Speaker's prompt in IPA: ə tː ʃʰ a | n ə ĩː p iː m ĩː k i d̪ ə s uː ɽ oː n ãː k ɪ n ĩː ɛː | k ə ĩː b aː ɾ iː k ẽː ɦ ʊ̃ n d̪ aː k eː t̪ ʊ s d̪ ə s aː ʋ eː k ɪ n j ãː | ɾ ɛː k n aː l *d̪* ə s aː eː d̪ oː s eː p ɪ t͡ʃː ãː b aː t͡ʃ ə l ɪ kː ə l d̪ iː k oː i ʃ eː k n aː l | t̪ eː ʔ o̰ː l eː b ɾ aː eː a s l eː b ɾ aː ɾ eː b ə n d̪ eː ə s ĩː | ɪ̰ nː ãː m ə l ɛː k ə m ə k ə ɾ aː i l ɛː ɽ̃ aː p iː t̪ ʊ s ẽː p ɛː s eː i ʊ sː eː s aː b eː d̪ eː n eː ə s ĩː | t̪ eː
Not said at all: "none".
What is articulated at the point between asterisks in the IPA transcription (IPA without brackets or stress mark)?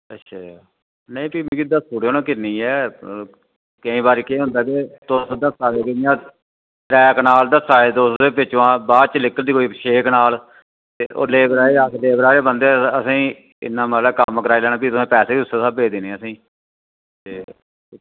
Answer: d̪